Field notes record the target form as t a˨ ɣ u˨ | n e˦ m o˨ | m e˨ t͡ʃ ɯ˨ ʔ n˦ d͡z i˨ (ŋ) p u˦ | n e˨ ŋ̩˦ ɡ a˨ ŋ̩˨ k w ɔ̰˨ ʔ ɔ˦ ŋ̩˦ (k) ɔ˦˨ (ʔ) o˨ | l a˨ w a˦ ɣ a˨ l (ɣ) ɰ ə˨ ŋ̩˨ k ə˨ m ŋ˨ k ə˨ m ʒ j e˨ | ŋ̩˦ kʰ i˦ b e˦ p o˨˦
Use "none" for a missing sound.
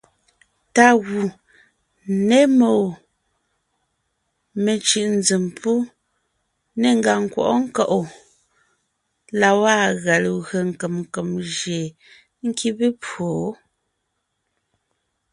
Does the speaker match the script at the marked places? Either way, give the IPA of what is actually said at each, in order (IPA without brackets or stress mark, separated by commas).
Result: m, k, ʔ, ɣ